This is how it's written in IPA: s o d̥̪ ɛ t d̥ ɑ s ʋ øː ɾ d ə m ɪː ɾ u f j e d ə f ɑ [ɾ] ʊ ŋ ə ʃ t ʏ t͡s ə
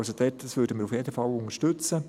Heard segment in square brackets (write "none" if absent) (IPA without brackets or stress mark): l